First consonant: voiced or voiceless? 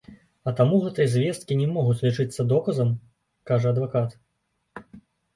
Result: voiceless